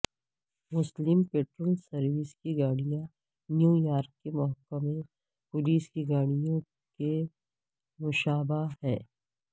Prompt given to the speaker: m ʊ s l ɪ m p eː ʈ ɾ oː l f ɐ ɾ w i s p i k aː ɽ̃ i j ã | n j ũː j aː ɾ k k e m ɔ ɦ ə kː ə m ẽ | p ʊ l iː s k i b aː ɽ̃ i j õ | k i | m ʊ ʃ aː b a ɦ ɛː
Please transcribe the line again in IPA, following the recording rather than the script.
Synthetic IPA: m ʊ s l ɪ m p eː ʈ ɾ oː l s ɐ ɾ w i s k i ɡ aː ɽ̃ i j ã | n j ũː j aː ɾ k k e m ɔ ɦ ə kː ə m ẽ | p ʊ l iː s k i ɡ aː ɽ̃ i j õ | k e | m ʊ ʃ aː b a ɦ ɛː

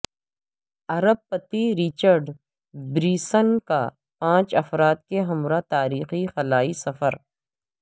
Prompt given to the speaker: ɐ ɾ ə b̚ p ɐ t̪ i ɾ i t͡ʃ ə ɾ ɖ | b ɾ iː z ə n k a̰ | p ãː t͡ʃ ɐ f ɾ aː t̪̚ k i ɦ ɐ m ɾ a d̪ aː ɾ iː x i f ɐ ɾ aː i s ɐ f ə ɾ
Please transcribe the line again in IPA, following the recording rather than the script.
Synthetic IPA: ɐ ɾ ə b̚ p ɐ t̪ i ɾ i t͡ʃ ə ɾ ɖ | b ɾ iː s ə n k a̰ | p ãː t͡ʃ ɐ f ɾ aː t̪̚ k e ɦ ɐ m ɾ a t̪ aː ɾ iː x i x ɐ l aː i s ɐ f ə ɾ

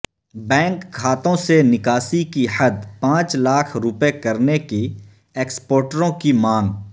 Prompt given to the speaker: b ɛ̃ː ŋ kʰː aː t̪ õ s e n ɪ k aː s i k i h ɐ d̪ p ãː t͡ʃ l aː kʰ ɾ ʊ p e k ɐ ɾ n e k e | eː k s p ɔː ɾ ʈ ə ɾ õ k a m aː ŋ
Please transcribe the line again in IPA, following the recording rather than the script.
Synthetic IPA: b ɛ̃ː ŋ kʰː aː t̪ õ s e n ɪ k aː s i k i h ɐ d̪ p ãː t͡ʃ l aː kʰ ɾ ʊ p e k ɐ ɾ n e k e | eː k s p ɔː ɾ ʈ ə ɾ õ k i m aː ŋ

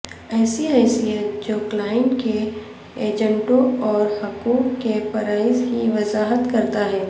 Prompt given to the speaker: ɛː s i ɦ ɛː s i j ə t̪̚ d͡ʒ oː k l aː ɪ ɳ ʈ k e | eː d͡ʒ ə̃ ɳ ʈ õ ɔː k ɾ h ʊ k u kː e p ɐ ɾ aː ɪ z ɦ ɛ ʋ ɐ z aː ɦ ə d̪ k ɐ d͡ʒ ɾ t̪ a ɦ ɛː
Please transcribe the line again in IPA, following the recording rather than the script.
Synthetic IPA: ɛː s i ɦ ɛː s i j ə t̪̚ d͡ʒ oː k l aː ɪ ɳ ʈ k e | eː d͡ʒ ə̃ ɳ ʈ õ ɔː ɾ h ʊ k uː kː e p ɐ ɾ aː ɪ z ɦ i ʋ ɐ z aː ɦ ə t̪ k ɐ ɾ t̪ a ɦ ɛː

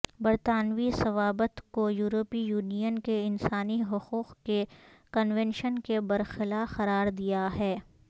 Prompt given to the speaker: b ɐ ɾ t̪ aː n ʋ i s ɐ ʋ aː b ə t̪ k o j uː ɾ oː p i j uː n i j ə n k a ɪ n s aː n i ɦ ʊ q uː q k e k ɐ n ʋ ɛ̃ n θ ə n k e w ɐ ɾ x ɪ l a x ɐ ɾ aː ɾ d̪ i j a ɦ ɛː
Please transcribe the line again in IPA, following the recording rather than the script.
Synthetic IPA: b ɐ ɾ t̪ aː n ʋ i s ɐ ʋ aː b ə t̪ k o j uː ɾ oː p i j uː n i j ə n k e ɪ n s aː n i ɦ ʊ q uː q k e k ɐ n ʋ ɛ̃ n ʃ ə n k e b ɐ ɾ x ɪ l a x ɐ ɾ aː ɾ d̪ i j a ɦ ɛː

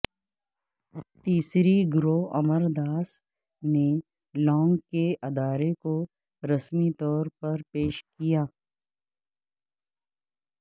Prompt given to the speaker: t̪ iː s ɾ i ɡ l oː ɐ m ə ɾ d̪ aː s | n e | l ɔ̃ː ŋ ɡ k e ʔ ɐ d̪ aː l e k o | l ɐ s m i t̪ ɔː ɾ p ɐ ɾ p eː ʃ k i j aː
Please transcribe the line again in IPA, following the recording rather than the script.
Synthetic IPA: t̪ iː s ɾ i ɡ ɾ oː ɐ m ə ɾ d̪ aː s | n e | l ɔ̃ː ŋ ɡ k e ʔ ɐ d̪ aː ɾ e k o | ɾ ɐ s m i t̪ ɔː ɾ p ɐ ɾ p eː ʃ k i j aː

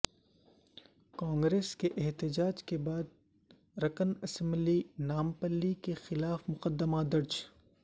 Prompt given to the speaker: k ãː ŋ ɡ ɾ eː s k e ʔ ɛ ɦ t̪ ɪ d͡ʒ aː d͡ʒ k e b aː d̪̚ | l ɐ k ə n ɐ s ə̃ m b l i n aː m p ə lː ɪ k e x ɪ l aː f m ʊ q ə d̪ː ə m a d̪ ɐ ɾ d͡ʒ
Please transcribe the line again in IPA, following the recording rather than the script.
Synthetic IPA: k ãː ŋ ɡ ɾ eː s k e ʔ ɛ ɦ t̪ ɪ d͡ʒ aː d͡ʒ k e b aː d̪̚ | ɾ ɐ k ə n ɐ s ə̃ m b l i n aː m p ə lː i k e x ɪ l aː f m ʊ q ə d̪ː ə m a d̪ ɐ ɾ d͡ʒ

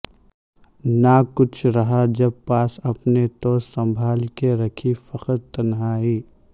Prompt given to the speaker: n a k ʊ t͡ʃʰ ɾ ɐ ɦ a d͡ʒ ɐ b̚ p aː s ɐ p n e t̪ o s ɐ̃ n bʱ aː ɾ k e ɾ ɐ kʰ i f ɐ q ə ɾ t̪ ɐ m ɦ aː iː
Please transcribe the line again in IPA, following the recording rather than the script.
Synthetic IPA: n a k ʊ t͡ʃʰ ɾ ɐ ɦ a d͡ʒ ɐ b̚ p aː s ɐ p n e t̪ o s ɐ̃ m bʱ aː l k e ɾ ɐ kʰ i f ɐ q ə ɾ t̪ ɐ n ɦ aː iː

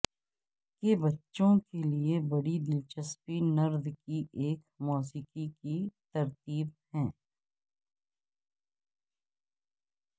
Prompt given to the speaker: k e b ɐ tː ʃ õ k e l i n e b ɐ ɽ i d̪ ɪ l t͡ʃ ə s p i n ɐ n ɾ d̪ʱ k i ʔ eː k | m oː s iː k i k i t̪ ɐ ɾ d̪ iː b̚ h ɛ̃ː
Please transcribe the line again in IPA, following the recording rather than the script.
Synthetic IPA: k e b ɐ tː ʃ õ k e l i e b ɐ ɽ i d̪ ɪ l t͡ʃ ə s p i n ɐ ɾ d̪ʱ k i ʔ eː k | m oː s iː k i k i t̪ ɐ ɾ t̪ iː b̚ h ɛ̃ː

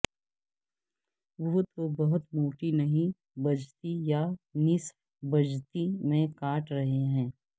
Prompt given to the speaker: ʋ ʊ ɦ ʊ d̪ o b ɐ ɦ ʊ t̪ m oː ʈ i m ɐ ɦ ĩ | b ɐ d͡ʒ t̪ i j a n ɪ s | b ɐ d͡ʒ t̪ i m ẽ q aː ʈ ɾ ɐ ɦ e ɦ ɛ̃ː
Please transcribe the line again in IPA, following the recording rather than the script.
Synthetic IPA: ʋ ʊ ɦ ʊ t̪ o b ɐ ɦ ʊ t̪ m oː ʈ i n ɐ ɦ ĩ | b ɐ d͡ʒ t̪ i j a n ɪ s | b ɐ d͡ʒ t̪ i m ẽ k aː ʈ ɾ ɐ ɦ e ɦ ɛ̃ː

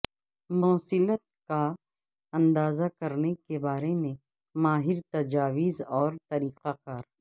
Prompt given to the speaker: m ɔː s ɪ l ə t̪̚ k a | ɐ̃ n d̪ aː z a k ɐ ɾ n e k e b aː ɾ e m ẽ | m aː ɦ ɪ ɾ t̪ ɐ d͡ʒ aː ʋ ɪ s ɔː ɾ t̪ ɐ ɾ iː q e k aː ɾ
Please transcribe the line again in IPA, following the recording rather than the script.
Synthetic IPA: m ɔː s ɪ l ə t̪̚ k a | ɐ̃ n d̪ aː z a k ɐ ɾ n e k e b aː ɾ e m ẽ | m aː ɦ ɪ ɾ t̪ ɐ d͡ʒ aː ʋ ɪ z ɔː ɾ t̪ ɐ ɾ iː q a k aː ɾ

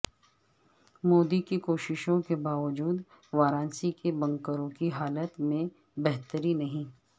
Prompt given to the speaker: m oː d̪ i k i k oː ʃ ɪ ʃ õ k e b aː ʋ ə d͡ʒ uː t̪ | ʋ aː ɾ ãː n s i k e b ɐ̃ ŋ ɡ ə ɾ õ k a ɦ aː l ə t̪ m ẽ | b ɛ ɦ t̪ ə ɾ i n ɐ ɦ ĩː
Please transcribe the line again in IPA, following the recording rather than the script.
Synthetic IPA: m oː d̪ i k i k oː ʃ ɪ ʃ õ k e b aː ʋ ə d͡ʒ uː d̪ | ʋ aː ɾ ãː n s i k e b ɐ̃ ŋ k ə ɾ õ k i ɦ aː l ə t̪ m ẽ | b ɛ ɦ t̪ ə ɾ i n ɐ ɦ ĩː

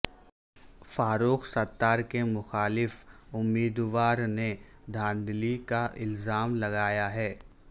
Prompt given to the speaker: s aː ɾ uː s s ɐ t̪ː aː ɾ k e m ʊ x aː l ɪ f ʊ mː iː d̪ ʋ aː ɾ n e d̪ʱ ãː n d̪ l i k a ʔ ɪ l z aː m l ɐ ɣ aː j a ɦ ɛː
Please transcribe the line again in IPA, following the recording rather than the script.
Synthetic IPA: f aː ɾ uː x s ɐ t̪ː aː ɾ k e m ʊ x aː l ɪ f ʊ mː iː d̪ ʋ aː ɾ n e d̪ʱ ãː n d̪ l i k a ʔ ɪ l z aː m l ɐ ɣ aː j a ɦ ɛː

